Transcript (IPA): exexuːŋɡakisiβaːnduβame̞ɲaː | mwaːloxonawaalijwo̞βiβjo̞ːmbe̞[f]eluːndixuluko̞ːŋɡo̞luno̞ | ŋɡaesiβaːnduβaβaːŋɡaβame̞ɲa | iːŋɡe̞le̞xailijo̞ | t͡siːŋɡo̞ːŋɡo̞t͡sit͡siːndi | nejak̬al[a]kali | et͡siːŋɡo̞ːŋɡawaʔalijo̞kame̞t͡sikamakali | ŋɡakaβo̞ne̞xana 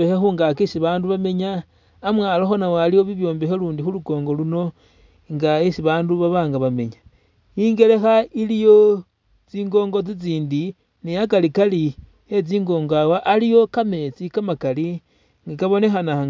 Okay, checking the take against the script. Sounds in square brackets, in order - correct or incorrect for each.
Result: incorrect, incorrect

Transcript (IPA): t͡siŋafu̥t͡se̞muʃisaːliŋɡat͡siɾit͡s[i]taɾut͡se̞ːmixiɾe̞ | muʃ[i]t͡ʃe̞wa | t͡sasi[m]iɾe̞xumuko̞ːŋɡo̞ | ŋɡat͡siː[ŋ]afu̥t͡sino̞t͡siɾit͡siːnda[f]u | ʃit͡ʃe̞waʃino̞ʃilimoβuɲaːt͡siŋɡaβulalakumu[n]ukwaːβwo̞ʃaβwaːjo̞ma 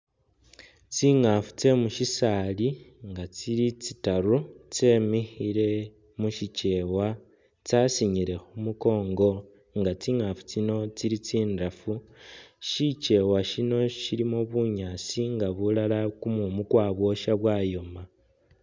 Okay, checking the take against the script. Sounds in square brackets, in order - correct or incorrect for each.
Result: correct, correct, incorrect, correct, correct, incorrect

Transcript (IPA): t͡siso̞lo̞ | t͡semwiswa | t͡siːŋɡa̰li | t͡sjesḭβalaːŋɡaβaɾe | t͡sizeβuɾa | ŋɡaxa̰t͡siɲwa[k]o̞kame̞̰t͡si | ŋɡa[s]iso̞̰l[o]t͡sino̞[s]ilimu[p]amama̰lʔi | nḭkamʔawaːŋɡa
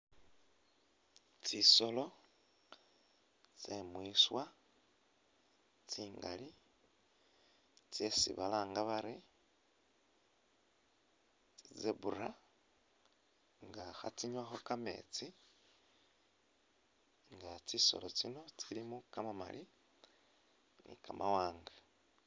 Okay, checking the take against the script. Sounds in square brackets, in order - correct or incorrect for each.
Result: incorrect, incorrect, correct, incorrect, incorrect

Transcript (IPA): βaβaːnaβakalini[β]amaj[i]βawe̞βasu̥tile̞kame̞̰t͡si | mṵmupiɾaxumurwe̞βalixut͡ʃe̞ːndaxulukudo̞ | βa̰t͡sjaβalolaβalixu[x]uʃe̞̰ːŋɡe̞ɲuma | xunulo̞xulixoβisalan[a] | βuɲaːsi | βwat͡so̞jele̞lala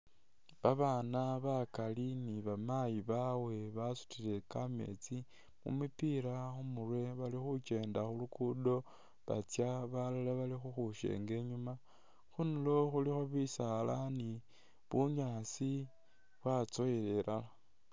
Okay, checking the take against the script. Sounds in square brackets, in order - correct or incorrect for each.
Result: correct, correct, correct, incorrect

